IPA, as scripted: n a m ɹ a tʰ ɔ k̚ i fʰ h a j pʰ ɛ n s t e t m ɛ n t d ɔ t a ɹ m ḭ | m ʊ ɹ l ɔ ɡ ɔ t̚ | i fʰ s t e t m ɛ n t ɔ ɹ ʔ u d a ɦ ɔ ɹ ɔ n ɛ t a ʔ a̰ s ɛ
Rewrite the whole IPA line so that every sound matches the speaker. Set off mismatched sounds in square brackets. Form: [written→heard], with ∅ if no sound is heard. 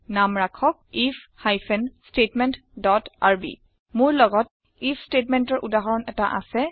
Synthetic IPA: n a m ɹ a [tʰ→kʰ] ɔ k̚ i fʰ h a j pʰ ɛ n s t e t m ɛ n t d ɔ t a ɹ [m→b] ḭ | m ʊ ɹ l ɔ ɡ ɔ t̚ | i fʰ s t e t m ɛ n t ɔ ɹ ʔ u d a ɦ ɔ ɹ ɔ n ɛ t a ʔ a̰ s ɛ